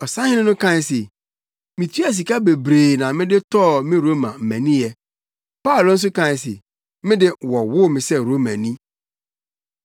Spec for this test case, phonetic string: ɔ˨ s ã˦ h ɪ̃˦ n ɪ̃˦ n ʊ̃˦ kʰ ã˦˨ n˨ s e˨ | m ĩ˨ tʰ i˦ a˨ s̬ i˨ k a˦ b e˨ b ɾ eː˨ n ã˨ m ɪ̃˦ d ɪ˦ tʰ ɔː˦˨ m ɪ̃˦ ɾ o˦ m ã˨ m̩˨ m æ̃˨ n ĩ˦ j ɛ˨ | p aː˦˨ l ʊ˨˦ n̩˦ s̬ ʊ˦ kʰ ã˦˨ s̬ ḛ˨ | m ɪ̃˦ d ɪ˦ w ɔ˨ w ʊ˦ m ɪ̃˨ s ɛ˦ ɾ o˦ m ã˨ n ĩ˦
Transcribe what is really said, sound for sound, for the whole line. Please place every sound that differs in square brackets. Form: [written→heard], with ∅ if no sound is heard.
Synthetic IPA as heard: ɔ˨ s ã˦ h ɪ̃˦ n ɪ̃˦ n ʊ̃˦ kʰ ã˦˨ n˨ s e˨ | m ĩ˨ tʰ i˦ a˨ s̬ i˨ k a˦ b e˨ b ɾ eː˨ n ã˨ m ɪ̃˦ d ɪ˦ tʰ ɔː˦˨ m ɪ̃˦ ɾ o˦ m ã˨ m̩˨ m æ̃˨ n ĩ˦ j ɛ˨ | p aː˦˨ l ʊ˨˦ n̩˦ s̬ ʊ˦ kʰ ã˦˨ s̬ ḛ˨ | m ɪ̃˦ d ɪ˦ w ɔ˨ w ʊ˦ m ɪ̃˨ s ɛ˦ ɾ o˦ m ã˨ n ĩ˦

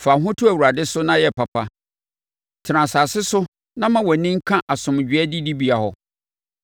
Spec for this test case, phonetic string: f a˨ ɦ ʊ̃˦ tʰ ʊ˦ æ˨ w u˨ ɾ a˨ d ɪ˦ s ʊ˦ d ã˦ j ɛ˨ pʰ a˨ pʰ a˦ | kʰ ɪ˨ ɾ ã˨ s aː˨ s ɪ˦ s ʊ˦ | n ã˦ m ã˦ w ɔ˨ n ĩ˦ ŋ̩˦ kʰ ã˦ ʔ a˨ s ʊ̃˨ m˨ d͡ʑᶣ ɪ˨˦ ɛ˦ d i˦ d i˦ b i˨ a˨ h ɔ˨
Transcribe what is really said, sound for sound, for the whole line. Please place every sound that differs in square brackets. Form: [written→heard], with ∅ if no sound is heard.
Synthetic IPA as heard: f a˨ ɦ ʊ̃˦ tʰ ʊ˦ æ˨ w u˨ ɾ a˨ d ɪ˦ s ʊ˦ [d→n] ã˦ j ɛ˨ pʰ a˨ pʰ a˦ | [kʰ→tʰ] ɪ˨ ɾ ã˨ s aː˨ s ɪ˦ s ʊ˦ | n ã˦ m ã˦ w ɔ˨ n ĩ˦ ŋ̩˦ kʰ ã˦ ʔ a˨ s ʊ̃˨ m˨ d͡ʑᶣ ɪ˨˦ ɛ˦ d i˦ d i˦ b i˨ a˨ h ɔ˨

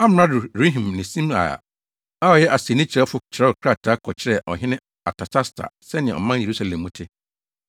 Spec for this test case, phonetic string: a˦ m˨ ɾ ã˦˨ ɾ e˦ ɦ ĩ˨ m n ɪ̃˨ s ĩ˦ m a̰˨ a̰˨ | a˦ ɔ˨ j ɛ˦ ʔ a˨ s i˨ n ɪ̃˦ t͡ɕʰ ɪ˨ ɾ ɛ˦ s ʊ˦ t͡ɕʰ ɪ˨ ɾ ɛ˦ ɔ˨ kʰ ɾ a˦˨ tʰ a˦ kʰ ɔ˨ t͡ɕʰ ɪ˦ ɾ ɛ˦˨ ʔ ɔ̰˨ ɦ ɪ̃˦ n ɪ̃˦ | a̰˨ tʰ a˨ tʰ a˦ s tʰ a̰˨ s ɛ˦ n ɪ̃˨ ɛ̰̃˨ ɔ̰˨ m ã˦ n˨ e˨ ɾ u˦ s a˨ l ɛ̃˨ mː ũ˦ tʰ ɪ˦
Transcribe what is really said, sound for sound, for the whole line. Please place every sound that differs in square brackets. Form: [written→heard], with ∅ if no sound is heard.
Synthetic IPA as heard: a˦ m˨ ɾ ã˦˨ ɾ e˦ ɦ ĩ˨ m n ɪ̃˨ s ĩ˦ m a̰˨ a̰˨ | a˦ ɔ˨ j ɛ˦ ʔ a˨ s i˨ n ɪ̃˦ t͡ɕʰ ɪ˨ ɾ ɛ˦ [s→f] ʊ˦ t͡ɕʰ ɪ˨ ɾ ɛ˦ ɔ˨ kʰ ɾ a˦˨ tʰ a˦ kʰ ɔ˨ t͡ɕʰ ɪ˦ ɾ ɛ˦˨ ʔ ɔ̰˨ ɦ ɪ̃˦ n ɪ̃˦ | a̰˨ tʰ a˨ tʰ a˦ s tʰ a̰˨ s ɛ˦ n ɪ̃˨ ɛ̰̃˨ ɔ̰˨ m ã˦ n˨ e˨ ɾ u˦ s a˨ l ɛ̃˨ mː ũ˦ tʰ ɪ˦

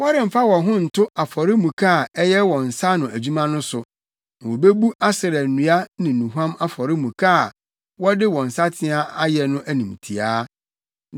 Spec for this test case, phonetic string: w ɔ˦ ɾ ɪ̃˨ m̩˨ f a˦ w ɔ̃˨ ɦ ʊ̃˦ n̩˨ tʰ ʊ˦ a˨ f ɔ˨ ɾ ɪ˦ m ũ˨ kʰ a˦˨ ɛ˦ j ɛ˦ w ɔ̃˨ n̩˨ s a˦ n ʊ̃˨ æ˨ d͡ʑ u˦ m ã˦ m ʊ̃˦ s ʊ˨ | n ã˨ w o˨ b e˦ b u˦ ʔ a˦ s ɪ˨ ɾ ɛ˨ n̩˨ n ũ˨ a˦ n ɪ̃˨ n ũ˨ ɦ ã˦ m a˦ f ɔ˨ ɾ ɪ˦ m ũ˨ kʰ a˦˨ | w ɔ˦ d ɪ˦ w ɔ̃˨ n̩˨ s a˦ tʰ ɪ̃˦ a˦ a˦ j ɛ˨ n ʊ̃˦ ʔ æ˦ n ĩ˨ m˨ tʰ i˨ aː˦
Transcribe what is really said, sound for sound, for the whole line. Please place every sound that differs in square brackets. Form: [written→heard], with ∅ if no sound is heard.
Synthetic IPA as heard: w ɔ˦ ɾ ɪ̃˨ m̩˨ f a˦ w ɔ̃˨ ɦ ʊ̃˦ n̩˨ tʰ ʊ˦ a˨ f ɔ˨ ɾ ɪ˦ m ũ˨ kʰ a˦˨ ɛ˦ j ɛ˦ w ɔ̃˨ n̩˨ s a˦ n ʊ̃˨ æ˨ d͡ʑ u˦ m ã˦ [m→n] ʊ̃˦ s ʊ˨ | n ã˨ w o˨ b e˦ b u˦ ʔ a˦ s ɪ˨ ɾ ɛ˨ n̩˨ n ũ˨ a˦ n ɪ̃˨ n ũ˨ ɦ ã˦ m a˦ f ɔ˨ ɾ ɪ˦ m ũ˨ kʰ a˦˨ | w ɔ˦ d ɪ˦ w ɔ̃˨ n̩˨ s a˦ tʰ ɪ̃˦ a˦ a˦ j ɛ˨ n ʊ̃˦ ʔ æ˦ n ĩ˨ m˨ tʰ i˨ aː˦

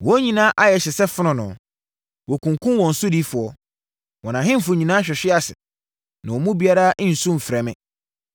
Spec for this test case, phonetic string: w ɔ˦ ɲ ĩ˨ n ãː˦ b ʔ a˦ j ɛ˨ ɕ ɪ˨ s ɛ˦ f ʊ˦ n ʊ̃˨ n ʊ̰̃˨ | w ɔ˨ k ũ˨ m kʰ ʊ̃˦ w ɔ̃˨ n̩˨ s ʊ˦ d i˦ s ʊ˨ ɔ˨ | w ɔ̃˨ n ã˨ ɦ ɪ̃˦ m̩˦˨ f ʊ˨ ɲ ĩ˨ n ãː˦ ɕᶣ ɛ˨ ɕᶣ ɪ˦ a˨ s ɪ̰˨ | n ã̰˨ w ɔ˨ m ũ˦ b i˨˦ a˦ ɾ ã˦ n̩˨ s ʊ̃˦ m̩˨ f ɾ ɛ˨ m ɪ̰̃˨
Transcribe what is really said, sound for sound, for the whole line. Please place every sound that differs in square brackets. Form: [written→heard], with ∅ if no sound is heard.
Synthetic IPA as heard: w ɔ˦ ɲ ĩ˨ n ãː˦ [b→∅] ʔ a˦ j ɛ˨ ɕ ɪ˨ s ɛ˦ f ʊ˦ n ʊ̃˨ n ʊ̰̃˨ | w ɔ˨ k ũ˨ [m→ŋ] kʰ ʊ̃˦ w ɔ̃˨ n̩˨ s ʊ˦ d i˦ [s→f] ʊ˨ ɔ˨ | w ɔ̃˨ n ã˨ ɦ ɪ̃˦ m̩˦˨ f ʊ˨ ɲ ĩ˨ n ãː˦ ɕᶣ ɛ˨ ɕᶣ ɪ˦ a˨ s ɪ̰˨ | n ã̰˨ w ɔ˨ m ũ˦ b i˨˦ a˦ ɾ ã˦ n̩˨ s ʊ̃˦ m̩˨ f ɾ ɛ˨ m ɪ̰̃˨

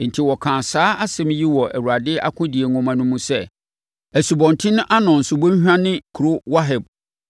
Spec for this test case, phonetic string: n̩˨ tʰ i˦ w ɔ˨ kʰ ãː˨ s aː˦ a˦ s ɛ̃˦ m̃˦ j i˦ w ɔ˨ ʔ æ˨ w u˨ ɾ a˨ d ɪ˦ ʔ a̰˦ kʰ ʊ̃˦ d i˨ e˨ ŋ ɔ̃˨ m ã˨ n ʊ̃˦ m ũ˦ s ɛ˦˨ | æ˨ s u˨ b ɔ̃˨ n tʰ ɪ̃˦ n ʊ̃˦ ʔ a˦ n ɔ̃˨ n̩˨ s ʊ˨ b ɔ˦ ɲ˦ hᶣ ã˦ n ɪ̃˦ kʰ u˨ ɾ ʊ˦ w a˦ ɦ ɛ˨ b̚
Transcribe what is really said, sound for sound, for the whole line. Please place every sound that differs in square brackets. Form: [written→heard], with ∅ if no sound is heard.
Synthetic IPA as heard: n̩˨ tʰ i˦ w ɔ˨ kʰ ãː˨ s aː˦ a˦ s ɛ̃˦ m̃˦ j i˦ w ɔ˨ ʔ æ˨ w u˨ ɾ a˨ d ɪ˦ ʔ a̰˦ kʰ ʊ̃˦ d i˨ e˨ ŋ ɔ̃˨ m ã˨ n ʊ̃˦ m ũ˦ s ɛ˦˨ | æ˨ s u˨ b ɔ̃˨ n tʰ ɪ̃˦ n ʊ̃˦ ʔ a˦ n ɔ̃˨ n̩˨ s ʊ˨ b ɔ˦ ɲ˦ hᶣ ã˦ n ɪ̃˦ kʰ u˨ ɾ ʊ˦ w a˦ ɦ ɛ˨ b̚

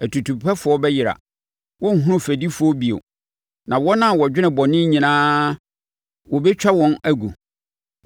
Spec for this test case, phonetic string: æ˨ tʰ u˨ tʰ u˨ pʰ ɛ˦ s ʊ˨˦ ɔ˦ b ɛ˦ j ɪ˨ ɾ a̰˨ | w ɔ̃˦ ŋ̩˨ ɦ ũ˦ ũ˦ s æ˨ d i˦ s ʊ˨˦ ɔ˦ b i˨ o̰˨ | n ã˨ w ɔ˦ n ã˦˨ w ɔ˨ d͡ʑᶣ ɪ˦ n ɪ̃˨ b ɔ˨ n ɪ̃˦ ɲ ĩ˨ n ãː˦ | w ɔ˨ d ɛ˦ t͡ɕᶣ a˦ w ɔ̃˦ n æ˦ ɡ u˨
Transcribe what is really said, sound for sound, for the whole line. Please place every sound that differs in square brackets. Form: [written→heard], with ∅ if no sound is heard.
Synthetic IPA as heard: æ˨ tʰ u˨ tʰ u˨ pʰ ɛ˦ [s→f] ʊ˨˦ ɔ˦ b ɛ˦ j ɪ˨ ɾ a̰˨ | w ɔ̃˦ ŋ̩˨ ɦ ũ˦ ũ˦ [s→f] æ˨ d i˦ [s→f] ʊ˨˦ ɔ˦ b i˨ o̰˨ | n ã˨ w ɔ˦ n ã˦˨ w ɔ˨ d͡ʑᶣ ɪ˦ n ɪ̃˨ b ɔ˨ n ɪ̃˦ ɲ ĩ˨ n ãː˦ | w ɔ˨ [d→b] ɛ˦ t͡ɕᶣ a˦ w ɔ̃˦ n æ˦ ɡ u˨

